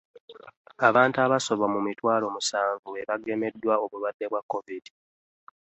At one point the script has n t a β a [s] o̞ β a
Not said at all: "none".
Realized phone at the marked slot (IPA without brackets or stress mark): s